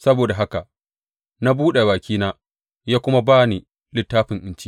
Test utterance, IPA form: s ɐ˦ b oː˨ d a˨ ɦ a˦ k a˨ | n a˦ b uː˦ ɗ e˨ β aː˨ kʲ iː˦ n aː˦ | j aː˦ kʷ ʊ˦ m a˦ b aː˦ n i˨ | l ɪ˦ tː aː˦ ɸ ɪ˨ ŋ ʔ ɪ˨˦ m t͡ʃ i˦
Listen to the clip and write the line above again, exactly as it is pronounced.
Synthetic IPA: s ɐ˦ b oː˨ d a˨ ɦ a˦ k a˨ | n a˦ b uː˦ ɗ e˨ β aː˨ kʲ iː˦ n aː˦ | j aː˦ kʷ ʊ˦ m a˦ b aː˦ n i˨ | l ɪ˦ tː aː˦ ɸ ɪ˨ ŋ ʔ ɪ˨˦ n t͡ʃ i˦